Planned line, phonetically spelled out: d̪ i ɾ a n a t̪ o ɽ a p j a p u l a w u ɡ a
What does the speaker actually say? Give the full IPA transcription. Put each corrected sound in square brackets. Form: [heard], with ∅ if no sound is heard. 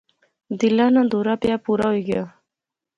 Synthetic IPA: d̪ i [l] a n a [d̪] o [ɾ] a p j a p u [ɾ] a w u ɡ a